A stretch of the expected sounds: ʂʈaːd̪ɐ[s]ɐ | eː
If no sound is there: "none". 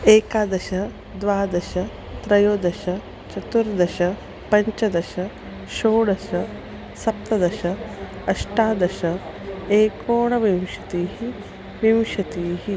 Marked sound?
ʃ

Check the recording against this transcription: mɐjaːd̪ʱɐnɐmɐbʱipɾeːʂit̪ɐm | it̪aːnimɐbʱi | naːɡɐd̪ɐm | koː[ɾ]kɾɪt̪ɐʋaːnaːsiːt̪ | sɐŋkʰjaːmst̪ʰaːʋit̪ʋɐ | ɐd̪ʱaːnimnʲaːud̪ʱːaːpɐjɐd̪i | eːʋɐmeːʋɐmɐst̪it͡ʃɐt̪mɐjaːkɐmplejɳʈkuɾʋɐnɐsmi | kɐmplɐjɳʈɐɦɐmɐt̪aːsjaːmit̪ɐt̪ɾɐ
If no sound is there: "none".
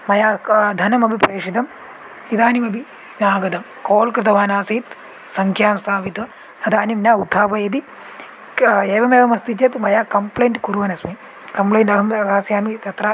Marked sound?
l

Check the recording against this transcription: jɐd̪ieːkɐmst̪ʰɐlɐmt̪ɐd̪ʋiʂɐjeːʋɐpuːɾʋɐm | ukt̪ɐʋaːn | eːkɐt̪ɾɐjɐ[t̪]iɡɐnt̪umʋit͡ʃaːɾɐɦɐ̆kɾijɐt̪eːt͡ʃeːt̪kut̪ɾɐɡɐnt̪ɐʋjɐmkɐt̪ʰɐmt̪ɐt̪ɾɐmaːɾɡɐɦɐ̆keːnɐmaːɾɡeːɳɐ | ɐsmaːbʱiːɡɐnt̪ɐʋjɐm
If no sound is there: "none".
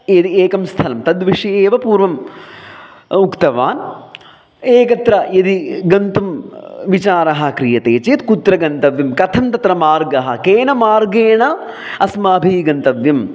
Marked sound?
d̪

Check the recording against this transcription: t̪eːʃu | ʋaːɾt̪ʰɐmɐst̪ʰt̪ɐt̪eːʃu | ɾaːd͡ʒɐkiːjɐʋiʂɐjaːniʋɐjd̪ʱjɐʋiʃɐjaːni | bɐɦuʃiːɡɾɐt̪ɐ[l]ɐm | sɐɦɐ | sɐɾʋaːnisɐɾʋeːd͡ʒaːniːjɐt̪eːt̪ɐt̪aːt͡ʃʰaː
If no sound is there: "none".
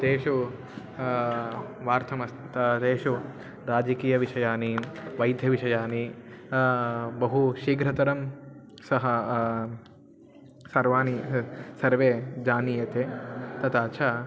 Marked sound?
ɾ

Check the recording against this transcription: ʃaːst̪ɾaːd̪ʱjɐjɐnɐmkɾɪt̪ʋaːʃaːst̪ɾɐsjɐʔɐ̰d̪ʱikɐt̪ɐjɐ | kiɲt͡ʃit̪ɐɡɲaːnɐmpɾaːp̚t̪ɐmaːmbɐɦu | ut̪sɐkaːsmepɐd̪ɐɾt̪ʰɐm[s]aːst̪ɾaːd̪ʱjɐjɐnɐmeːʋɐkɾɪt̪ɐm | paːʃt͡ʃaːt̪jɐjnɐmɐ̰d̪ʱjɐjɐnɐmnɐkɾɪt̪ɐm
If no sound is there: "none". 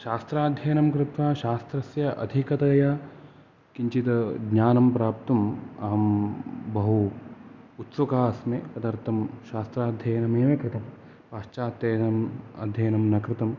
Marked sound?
ʃ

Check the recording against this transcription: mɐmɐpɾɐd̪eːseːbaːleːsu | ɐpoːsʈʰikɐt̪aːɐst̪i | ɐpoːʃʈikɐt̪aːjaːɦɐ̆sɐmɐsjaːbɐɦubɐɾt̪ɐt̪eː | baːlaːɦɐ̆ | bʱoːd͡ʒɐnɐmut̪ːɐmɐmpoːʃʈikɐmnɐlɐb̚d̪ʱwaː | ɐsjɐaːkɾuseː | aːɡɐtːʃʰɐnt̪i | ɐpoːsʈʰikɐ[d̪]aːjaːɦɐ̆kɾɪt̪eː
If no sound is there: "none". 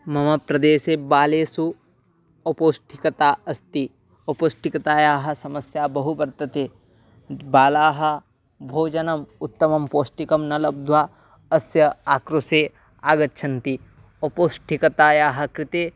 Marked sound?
t̪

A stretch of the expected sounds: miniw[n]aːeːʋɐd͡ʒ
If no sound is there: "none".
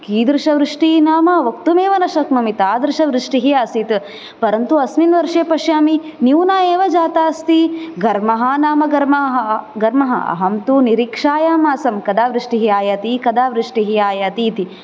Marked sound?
n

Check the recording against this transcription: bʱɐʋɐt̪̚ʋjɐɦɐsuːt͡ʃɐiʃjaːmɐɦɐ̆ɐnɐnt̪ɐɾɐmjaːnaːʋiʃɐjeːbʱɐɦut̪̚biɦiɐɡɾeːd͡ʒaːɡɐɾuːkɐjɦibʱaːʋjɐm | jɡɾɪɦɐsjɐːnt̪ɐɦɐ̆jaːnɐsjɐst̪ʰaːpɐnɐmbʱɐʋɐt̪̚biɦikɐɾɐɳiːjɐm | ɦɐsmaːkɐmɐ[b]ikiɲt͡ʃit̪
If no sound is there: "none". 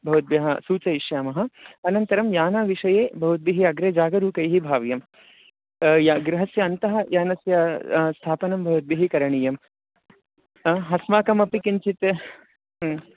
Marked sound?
p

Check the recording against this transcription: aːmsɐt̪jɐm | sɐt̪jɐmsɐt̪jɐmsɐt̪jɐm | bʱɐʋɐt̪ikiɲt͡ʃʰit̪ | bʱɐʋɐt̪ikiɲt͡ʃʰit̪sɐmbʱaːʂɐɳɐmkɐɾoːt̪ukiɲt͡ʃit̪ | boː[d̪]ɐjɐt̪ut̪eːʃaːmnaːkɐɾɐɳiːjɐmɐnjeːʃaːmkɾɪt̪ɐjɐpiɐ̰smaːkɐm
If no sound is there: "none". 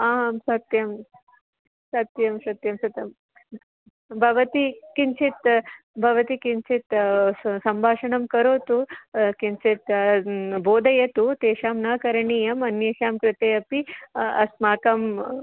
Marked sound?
d̪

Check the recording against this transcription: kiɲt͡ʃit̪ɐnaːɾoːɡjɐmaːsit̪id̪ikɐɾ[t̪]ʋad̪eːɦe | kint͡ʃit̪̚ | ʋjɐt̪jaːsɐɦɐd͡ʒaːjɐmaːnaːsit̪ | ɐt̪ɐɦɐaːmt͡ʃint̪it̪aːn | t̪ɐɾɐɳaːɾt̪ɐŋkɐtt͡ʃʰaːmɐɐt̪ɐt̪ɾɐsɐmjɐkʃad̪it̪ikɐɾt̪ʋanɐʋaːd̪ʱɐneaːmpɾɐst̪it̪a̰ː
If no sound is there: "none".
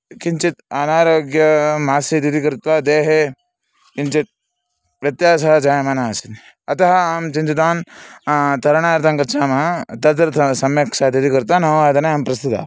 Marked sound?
t̪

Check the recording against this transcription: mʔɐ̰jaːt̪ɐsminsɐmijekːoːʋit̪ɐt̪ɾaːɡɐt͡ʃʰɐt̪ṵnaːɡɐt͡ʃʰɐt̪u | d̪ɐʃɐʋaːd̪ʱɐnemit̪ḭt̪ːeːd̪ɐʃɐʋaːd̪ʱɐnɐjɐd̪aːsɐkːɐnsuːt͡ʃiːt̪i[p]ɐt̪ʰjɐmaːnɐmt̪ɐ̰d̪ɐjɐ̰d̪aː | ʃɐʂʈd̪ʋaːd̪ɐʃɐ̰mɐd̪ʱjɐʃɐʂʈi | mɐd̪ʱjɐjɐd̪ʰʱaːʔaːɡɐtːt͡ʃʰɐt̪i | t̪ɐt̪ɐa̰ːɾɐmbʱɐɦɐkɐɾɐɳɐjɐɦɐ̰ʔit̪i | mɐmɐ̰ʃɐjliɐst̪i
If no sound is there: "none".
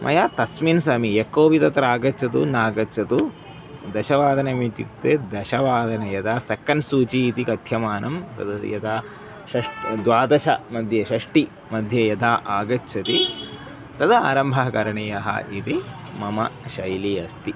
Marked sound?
k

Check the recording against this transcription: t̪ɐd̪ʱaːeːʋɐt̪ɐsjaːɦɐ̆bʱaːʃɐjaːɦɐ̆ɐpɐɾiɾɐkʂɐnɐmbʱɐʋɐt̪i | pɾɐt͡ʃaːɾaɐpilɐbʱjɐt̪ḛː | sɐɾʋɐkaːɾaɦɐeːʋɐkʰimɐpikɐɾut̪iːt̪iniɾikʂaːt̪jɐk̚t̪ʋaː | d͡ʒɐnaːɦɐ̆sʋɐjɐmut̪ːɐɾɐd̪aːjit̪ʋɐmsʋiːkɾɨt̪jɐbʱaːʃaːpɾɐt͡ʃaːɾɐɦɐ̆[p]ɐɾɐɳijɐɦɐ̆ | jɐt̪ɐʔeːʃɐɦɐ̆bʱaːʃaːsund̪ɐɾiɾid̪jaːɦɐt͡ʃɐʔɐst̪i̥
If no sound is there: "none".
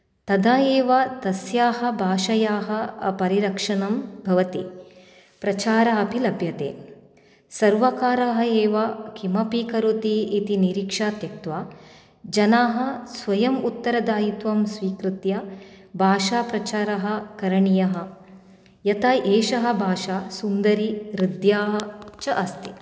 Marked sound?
k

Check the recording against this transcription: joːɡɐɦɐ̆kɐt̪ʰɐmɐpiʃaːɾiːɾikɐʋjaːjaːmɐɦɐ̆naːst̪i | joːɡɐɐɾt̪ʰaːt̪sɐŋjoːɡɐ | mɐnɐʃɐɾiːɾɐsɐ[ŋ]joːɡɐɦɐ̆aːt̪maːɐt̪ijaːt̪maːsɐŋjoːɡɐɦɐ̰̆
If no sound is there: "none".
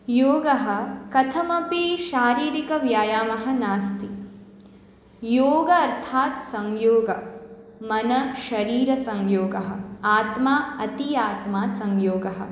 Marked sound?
ŋ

